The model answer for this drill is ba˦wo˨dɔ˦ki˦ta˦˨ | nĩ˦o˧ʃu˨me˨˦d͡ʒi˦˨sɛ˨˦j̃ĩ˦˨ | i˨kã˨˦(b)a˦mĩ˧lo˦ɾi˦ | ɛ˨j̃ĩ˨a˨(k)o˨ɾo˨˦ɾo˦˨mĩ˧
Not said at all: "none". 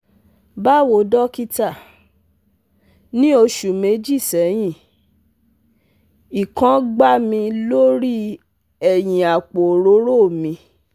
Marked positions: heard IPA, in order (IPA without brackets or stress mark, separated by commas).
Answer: ɡ͡b, k͡p